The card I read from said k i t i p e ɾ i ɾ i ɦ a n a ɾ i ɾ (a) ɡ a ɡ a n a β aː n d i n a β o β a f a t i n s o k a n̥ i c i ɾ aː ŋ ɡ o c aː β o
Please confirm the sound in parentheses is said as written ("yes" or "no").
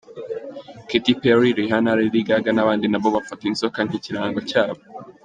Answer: no